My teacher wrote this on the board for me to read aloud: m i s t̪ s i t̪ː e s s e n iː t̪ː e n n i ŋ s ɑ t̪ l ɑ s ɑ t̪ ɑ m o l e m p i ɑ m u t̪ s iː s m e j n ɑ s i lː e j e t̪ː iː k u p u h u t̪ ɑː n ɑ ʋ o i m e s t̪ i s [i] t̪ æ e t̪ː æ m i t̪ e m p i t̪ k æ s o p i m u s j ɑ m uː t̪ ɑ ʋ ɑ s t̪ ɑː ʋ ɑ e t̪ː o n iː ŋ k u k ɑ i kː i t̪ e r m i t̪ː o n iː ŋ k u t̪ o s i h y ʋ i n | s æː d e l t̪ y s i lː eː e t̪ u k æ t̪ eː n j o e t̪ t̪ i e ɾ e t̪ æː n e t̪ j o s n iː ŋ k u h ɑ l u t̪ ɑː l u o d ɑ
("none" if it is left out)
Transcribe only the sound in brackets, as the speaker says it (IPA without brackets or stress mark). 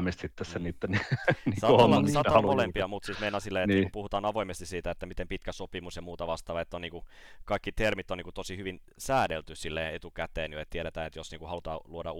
iː